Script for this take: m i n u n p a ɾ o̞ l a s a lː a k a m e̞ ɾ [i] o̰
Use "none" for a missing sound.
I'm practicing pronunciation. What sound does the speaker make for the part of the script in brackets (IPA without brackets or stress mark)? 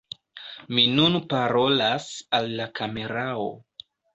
a